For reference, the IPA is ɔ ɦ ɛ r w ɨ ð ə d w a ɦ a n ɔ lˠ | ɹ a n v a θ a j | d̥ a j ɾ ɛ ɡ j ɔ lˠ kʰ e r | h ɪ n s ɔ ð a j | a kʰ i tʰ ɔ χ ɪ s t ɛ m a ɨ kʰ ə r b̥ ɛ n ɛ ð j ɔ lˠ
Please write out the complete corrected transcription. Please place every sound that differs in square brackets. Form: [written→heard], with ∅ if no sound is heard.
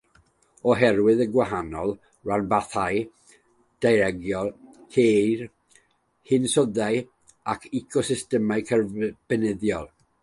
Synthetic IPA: ɔ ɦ ɛ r w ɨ ð ə [d→ɡ] w a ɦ a n ɔ lˠ | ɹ a n [v→b] a θ a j | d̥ a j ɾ ɛ ɡ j ɔ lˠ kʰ e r | h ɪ n s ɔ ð a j | a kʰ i [tʰ→kʰ] ɔ [χ→s] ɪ s t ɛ m a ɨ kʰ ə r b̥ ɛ n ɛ ð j ɔ lˠ